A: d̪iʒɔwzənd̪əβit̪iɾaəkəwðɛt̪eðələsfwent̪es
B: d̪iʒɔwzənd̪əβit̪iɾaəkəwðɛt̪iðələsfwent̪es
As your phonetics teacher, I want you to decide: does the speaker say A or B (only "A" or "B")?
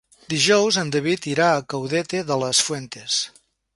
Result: A